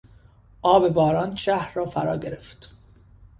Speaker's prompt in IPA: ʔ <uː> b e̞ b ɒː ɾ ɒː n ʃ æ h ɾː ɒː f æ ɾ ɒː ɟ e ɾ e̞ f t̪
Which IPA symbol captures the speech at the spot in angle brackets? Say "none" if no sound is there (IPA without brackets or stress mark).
ɒː